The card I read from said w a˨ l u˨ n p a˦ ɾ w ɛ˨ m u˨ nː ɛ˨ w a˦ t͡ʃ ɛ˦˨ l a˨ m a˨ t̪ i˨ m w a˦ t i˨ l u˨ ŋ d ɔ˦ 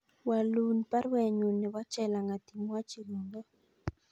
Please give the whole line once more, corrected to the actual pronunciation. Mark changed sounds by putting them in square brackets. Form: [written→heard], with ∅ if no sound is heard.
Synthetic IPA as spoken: w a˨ l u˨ n p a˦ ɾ w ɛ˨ [m→ɲ] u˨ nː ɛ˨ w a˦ t͡ʃ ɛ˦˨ l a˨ [m→ŋ] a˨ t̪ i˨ m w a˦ [t→t͡ʃ] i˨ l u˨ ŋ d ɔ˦